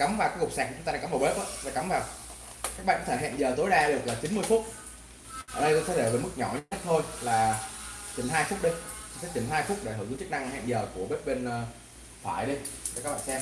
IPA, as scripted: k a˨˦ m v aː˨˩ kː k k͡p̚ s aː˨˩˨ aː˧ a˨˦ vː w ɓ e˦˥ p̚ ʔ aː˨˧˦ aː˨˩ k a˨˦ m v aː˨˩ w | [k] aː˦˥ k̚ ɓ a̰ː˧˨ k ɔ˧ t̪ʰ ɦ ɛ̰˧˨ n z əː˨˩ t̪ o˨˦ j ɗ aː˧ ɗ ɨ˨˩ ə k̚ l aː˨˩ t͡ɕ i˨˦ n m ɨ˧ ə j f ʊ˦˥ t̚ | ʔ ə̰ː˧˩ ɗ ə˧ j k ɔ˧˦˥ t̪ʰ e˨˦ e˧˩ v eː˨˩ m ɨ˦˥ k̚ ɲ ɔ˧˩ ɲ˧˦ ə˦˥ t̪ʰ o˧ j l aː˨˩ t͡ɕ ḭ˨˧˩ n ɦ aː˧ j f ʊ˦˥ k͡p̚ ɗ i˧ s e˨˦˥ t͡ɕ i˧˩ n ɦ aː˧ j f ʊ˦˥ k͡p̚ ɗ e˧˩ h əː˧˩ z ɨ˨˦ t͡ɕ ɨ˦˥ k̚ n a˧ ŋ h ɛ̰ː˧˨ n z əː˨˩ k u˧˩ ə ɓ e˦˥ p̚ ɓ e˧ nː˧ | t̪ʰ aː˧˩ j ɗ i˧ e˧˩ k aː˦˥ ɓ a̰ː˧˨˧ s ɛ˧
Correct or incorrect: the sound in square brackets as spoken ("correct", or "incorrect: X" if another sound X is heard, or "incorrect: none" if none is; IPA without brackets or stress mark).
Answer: correct